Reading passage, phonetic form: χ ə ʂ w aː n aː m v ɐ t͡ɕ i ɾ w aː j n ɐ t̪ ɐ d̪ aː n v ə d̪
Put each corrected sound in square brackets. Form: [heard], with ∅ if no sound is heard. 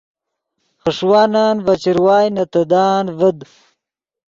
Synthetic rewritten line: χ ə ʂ w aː n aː [n] v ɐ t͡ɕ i ɾ w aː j n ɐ t̪ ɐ d̪ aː n v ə d̪